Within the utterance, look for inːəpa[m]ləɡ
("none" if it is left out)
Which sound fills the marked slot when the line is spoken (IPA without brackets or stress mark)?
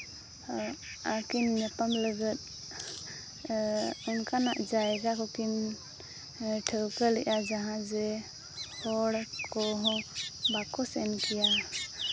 m